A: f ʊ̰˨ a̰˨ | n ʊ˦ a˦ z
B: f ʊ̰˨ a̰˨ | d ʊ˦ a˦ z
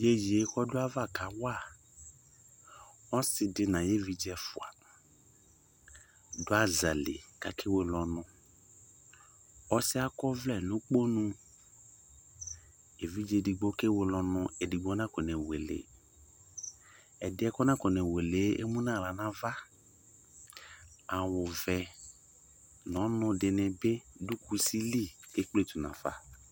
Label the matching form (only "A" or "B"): B